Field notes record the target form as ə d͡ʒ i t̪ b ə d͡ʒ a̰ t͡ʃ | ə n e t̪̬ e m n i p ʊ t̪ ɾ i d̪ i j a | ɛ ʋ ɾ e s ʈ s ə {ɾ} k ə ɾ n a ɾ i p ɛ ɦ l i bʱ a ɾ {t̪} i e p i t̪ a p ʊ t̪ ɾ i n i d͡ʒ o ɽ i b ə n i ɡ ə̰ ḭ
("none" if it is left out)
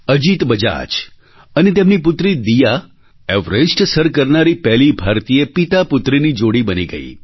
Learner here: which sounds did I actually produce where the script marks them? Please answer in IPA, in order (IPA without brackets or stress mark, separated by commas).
ɾ, t̪